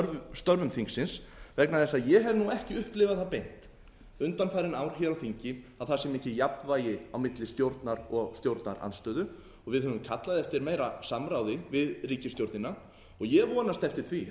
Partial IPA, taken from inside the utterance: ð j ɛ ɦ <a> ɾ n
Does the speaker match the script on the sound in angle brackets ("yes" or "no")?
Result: no